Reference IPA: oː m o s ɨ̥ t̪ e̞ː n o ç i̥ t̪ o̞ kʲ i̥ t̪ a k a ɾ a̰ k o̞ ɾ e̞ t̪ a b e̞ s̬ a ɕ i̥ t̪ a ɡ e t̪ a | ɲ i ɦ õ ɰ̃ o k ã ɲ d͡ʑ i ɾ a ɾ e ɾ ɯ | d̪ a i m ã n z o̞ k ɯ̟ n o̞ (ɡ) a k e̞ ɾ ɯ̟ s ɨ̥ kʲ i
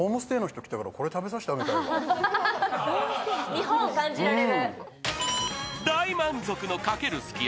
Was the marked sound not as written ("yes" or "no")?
yes